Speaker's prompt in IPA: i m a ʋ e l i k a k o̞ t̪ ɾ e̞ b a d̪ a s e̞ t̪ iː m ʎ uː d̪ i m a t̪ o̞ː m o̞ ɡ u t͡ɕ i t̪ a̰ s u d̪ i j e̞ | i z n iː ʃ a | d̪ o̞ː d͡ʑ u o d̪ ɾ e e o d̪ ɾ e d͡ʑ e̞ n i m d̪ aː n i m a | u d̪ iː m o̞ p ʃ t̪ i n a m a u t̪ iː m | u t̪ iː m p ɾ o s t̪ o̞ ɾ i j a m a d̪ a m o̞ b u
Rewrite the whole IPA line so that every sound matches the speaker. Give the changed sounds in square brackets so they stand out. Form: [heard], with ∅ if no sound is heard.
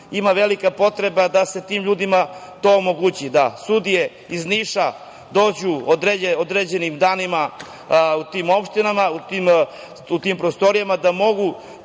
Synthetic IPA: i m a ʋ e l i k a [p] o̞ t̪ ɾ e̞ b a d̪ a s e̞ t̪ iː m ʎ uː d̪ i m a t̪ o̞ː m o̞ ɡ u t͡ɕ i [d̪] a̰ s u d̪ i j e̞ | i z n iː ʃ a | d̪ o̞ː d͡ʑ u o d̪ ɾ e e o d̪ ɾ e d͡ʑ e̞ n i m d̪ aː n i m a | u [t̪] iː m o̞ p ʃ t̪ i n a m a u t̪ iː m | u t̪ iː m p ɾ o s t̪ o̞ ɾ i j a m a d̪ a m o̞ [ɡ] u